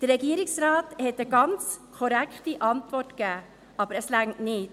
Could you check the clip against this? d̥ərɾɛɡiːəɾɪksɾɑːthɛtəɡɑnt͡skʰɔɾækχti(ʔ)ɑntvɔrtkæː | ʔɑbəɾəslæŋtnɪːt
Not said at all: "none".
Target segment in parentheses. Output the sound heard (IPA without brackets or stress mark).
ʔ